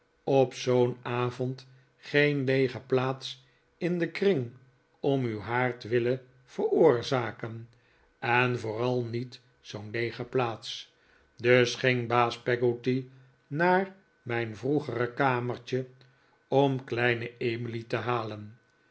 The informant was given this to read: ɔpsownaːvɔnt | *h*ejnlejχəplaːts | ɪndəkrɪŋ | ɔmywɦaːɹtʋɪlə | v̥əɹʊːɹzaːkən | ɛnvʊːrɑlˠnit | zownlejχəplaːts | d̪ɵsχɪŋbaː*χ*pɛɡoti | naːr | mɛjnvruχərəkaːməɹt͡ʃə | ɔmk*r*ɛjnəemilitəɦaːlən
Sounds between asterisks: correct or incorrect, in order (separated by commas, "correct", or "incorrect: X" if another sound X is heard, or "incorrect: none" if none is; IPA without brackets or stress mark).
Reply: incorrect: χ, incorrect: s, incorrect: l